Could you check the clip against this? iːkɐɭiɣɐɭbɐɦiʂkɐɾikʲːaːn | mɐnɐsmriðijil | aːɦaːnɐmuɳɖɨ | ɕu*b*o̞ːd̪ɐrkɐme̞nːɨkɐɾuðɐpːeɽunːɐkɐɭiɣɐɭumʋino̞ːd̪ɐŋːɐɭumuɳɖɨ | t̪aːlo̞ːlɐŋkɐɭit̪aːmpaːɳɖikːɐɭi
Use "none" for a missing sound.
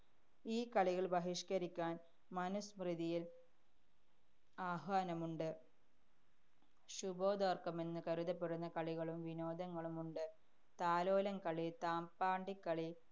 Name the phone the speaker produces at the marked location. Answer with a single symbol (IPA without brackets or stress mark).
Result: b